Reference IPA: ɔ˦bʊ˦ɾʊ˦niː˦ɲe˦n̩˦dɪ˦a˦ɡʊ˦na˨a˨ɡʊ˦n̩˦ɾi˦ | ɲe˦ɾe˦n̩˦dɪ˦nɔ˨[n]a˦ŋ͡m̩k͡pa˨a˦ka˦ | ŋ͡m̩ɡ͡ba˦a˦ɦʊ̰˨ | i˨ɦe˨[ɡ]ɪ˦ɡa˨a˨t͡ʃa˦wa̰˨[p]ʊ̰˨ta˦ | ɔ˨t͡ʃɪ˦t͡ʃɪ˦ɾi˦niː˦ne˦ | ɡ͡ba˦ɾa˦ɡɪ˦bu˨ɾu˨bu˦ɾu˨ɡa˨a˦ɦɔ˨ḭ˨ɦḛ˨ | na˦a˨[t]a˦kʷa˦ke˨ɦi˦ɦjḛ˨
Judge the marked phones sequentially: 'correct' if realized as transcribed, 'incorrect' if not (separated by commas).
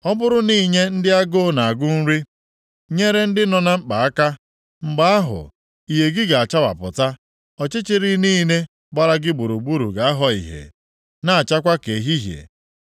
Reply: correct, correct, correct, incorrect